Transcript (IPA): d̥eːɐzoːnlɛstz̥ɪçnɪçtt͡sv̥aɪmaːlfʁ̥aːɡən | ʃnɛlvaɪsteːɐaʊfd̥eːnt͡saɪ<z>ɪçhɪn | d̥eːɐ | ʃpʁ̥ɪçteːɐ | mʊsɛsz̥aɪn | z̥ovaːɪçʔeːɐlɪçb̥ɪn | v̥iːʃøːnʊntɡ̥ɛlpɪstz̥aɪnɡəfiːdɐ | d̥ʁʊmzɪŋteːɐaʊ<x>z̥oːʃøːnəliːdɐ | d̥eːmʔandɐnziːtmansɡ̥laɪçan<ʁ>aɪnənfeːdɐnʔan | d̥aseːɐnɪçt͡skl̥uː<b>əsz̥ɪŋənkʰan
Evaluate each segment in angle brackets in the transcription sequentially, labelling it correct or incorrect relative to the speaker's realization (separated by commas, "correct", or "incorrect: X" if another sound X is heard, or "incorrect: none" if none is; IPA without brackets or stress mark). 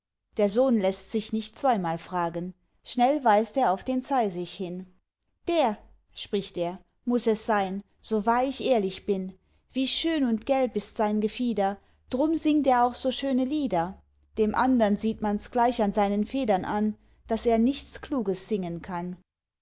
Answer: correct, correct, incorrect: z, incorrect: ɡ